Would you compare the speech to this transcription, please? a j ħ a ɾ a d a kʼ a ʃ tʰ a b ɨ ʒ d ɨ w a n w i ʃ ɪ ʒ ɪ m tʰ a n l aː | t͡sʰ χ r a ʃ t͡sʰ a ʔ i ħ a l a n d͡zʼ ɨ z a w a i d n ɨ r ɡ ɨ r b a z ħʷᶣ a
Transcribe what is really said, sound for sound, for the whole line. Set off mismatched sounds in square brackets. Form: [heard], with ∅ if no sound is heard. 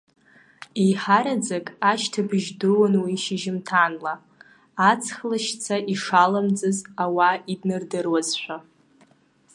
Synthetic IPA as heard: [e] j ħ a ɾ a [d͡z] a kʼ a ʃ tʰ a b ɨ ʒ d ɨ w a n w i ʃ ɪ ʒ ɪ m tʰ a n l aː | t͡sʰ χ [l] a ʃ t͡sʰ a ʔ i [ʂ] a l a [m] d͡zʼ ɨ z a w a i d n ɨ r [d] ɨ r [w] a z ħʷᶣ a